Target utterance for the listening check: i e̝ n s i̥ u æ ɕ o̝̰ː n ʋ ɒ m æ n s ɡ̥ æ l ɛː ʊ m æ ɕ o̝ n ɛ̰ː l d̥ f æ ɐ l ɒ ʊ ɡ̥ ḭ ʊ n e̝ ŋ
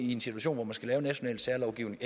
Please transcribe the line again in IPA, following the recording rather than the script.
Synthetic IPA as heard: i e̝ n s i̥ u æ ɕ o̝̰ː n ʋ ɒ m æ n s ɡ̥ æ l ɛː ʊ n æ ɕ o̝ n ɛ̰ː l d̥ s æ ɐ l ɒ ʊ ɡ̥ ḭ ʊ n e̝ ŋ